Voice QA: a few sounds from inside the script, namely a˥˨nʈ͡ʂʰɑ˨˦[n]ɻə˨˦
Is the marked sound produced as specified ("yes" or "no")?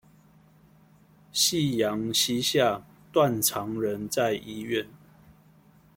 no